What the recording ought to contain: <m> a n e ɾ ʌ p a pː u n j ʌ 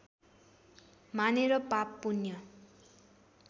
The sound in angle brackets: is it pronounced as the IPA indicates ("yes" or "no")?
yes